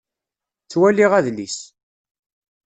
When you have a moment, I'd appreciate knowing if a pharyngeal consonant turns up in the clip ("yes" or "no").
no